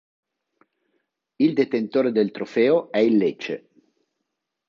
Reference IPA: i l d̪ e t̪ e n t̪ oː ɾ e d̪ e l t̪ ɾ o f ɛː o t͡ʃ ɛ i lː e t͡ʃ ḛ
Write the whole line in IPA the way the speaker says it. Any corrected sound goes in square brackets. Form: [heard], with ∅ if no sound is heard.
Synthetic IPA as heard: i l d̪ e t̪ e n t̪ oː ɾ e d̪ e l t̪ ɾ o f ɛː o [∅] ɛ i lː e t͡ʃ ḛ